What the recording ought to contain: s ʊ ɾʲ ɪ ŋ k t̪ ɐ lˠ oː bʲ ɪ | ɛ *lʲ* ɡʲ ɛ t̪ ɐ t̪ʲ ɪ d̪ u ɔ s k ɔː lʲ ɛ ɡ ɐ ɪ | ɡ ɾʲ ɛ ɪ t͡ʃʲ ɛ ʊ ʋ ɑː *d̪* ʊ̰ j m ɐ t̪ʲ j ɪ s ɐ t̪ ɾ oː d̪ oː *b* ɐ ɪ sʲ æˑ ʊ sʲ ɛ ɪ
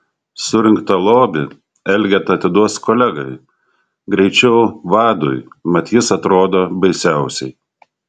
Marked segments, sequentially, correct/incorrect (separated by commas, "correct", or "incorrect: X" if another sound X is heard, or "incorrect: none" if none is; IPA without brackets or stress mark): correct, correct, correct